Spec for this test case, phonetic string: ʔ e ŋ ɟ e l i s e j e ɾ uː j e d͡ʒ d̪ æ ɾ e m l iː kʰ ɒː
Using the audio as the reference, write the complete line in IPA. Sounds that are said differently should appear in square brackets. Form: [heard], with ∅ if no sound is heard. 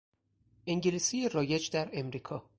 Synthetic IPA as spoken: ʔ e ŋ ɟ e l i s [i] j e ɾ [ɒː] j e d͡ʒ d̪ æ ɾ e m [ɾ] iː kʰ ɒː

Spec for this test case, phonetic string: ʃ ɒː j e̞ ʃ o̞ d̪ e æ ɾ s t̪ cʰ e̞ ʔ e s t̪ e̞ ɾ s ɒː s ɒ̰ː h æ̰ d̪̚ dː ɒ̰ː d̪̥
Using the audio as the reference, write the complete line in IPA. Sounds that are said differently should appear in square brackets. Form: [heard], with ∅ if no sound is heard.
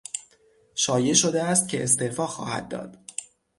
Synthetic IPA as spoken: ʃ ɒː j e̞ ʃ o̞ d̪ e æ [∅] s t̪ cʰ e̞ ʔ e s t̪ e̞ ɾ [f] ɒː [x] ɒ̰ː h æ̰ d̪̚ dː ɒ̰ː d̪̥

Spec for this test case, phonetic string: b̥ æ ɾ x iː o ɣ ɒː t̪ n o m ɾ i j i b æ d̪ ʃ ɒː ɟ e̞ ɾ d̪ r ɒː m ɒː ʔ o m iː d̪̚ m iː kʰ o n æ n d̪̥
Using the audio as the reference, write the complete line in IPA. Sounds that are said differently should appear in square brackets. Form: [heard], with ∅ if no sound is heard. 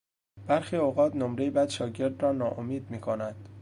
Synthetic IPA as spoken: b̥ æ ɾ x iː o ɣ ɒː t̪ n o m ɾ [e] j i b æ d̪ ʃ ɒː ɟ e̞ ɾ d̪ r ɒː [n] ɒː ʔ o m iː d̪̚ m iː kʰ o n æ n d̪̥

